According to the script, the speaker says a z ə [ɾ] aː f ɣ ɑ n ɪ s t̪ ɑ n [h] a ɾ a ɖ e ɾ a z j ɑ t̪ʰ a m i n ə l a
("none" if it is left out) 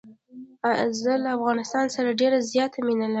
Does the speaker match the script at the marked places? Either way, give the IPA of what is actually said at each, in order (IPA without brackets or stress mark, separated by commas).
l, s